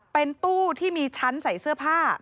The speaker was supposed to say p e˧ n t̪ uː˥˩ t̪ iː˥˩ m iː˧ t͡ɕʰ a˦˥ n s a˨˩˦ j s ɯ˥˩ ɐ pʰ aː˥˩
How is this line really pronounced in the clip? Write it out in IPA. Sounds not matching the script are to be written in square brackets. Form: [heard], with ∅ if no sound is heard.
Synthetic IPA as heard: p e˧ n t̪ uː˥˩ [t̪ʰ] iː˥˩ m iː˧ t͡ɕʰ a˦˥ n s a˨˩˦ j s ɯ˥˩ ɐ pʰ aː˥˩